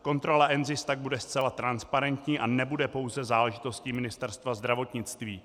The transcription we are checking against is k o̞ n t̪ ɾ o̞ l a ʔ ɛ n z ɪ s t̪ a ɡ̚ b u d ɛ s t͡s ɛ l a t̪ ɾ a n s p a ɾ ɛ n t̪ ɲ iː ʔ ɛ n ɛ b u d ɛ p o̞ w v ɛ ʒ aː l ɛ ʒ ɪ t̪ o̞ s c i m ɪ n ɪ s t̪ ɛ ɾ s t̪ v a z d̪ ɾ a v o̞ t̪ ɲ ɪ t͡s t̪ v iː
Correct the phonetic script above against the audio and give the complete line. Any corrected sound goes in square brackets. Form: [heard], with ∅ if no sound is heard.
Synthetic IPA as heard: k o̞ n t̪ ɾ o̞ l a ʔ ɛ n z ɪ s t̪ a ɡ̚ b u d ɛ s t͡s ɛ l a t̪ ɾ a n s p a ɾ ɛ n t̪ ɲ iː ʔ [a] n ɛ b u d ɛ p o̞ w [z] ɛ [z] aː l ɛ ʒ ɪ t̪ o̞ s c i m ɪ n ɪ s t̪ ɛ ɾ s t̪ v a z d̪ ɾ a v o̞ t̪ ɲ ɪ t͡s t̪ v iː